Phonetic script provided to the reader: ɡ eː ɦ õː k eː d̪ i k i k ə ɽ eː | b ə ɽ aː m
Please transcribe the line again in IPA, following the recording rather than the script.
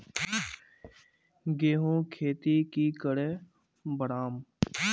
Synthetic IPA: ɡ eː ɦ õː kʰ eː t̪ i k i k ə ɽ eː | b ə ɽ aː m